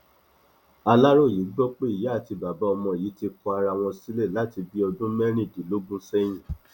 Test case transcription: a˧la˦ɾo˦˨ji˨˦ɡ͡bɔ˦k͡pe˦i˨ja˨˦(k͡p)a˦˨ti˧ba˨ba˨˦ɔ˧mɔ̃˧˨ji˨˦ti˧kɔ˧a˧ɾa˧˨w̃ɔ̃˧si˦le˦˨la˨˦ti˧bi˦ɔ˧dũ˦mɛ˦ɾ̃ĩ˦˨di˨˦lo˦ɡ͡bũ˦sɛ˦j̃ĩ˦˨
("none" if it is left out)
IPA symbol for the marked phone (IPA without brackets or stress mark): none